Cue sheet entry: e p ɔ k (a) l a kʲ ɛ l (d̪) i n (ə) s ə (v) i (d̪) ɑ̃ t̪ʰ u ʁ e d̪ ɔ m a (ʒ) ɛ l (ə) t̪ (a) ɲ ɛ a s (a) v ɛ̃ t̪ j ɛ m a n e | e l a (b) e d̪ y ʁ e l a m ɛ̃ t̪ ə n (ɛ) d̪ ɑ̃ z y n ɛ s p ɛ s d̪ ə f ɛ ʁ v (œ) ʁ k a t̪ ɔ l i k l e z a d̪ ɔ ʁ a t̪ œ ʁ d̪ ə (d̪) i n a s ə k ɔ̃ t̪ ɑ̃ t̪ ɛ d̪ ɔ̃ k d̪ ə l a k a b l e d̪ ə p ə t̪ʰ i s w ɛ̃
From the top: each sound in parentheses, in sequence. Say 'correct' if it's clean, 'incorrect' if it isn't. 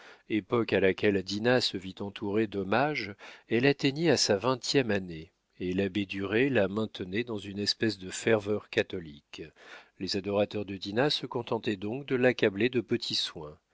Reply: correct, correct, incorrect: a, correct, incorrect: t̪, correct, incorrect: a, incorrect: e, correct, correct, correct, correct, correct

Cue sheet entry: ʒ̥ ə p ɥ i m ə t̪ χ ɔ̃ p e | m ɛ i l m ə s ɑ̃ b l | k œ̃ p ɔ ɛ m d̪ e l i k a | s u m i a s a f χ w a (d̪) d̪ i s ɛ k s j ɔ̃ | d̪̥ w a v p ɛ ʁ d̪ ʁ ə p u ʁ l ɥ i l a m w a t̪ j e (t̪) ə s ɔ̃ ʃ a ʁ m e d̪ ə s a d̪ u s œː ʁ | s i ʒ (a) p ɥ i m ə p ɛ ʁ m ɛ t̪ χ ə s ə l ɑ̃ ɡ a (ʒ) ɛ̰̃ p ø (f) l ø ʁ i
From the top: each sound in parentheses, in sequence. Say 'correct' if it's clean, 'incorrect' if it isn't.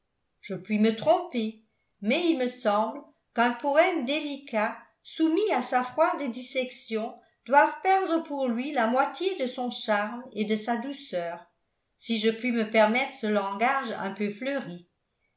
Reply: correct, incorrect: d̪, incorrect: ə, correct, correct

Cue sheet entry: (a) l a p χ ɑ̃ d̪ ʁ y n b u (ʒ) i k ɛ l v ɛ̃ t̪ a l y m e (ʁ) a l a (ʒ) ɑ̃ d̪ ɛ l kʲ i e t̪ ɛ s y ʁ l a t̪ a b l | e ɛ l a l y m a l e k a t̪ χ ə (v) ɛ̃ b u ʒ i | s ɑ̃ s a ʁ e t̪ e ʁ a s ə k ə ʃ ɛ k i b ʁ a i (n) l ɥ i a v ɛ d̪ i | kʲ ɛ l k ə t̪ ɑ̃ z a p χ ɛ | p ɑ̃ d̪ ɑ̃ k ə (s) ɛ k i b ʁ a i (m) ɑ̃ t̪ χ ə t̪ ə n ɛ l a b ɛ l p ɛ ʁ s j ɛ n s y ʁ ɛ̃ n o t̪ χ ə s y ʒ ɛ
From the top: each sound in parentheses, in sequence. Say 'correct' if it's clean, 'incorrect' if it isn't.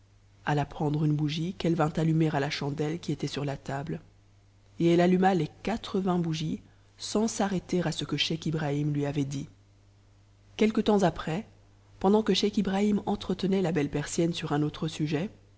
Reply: correct, correct, correct, incorrect: ʃ, correct, incorrect: m, incorrect: ʃ, correct

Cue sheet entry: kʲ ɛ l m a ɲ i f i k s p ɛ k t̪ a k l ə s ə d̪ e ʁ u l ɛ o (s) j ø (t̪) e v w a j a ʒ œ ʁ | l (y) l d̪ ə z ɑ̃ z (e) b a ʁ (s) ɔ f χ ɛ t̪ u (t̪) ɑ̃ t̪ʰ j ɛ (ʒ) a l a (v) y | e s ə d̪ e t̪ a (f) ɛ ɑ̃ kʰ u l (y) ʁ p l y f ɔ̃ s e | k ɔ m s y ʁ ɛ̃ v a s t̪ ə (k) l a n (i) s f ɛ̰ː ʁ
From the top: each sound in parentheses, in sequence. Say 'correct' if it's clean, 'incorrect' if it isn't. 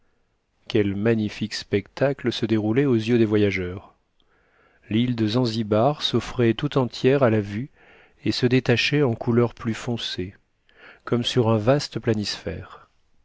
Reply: incorrect: z, incorrect: d̪, incorrect: i, incorrect: i, correct, correct, incorrect: ʁ, correct, incorrect: ʃ, incorrect: œ, incorrect: p, correct

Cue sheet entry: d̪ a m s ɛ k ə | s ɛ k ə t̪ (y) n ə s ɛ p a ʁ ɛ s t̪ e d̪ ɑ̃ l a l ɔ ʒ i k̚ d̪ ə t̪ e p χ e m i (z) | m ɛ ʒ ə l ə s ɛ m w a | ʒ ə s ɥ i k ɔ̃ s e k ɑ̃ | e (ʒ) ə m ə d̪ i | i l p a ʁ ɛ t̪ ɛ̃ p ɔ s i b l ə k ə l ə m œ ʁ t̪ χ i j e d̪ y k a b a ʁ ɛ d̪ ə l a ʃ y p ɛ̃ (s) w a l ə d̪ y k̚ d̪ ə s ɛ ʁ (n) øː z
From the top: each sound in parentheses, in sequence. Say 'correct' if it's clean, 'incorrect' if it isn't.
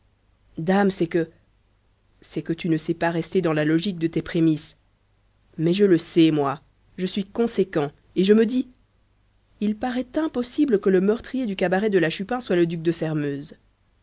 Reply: correct, incorrect: s, correct, correct, incorrect: m

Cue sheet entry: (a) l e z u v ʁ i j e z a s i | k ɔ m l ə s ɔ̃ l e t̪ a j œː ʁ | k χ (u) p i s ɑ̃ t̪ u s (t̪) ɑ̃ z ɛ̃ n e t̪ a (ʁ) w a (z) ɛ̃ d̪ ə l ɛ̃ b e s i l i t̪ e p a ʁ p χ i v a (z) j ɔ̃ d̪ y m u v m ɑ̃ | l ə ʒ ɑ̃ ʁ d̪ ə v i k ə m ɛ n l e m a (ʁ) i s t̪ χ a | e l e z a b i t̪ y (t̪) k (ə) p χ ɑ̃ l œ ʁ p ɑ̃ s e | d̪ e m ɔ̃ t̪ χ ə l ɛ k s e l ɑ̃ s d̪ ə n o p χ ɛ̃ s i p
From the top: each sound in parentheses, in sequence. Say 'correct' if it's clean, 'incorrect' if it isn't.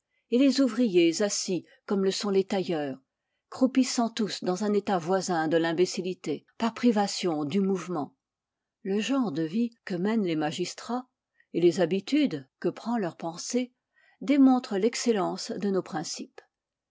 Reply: incorrect: e, correct, incorrect: d̪, incorrect: v, correct, incorrect: s, incorrect: ʒ, incorrect: d̪, correct

